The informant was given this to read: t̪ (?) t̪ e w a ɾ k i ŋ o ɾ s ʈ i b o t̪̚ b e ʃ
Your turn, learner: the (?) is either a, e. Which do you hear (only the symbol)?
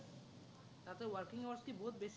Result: a